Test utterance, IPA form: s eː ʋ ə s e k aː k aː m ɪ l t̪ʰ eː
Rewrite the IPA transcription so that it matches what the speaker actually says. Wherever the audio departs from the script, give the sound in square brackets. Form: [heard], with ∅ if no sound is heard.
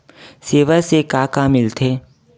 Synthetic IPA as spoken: s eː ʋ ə s e k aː k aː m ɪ l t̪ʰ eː